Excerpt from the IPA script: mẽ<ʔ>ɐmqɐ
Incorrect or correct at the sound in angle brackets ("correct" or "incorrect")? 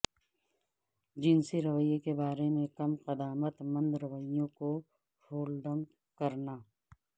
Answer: incorrect